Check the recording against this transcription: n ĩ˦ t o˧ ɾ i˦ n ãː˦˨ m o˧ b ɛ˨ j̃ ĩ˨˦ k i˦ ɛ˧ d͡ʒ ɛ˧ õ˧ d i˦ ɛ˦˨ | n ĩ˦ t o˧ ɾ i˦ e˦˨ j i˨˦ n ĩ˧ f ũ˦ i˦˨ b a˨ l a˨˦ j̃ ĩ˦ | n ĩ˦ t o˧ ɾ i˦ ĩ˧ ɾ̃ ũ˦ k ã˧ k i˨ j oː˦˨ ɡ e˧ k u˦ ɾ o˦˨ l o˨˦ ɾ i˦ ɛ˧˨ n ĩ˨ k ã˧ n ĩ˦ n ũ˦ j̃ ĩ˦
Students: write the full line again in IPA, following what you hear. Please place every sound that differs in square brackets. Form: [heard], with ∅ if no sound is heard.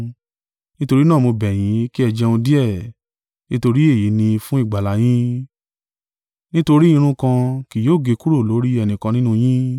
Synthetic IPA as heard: n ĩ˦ t o˧ ɾ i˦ n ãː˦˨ m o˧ b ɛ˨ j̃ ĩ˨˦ k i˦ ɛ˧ d͡ʒ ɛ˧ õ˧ d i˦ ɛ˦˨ | n ĩ˦ t o˧ ɾ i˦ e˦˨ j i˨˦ n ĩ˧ f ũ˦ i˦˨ [ɡ͡b] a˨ l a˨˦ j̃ ĩ˦ | n ĩ˦ t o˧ ɾ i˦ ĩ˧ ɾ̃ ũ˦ k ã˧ k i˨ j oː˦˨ ɡ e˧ k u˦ ɾ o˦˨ l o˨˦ ɾ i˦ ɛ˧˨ n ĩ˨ k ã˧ n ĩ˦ n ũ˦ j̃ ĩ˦